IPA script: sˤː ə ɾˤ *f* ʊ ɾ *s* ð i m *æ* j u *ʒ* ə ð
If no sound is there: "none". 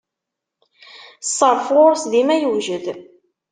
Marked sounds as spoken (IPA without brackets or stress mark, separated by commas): f, s, æ, ʒ